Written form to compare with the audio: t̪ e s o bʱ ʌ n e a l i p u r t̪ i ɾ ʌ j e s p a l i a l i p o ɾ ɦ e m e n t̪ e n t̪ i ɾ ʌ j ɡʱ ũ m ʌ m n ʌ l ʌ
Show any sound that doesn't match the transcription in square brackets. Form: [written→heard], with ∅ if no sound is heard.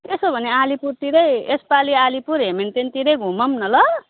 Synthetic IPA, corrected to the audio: t̪ e s o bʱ ʌ n e a l i p u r t̪ i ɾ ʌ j e s p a l i a l i p [o→u] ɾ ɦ e m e n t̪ e n t̪ i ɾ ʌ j ɡʱ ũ m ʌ m n ʌ l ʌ